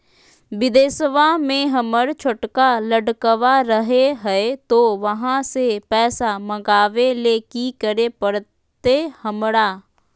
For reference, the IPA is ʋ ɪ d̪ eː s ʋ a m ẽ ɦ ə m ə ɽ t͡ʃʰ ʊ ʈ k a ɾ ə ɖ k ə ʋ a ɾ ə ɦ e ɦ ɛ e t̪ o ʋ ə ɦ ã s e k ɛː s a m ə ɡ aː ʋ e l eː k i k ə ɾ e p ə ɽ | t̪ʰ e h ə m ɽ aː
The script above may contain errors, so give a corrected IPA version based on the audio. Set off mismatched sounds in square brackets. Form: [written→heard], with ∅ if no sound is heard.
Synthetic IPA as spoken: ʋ ɪ d̪ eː s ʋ a m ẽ ɦ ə m ə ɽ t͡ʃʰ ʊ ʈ k a [ɾ→l] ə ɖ k ə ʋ a ɾ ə ɦ e ɦ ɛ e t̪ o ʋ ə ɦ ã s e [k→p] ɛː s a m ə ɡ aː ʋ e l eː k i k ə ɾ e p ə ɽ | [t̪ʰ→t̪] e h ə m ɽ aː

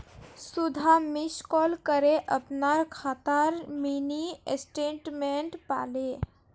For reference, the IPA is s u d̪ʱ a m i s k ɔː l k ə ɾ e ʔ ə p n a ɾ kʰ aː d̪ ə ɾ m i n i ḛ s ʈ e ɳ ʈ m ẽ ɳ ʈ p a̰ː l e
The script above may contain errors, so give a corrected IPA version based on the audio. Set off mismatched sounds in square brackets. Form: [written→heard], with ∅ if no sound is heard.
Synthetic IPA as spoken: s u d̪ʱ a m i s k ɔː l k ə ɾ e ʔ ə p n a ɾ kʰ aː [d̪→t̪] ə ɾ m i n i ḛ s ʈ e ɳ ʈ m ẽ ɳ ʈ p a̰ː l e

